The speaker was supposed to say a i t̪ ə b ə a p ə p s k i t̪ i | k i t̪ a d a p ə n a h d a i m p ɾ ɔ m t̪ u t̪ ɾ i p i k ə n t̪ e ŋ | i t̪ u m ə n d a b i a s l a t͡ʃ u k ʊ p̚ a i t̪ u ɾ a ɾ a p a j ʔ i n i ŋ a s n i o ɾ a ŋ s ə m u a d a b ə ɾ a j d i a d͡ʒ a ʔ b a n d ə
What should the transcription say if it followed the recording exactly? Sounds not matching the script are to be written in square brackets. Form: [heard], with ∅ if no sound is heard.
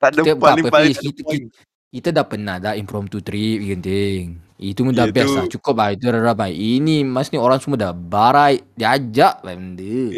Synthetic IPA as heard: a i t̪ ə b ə a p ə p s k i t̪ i | k i t̪ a d a p ə n a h d a i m p ɾ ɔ m t̪ u t̪ ɾ i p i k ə n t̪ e ŋ | i t̪ u m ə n d a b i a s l a t͡ʃ u k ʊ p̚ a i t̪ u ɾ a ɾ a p a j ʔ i n i [m] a s n i o ɾ a ŋ s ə m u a d a b [a] ɾ a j d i a d͡ʒ a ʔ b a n d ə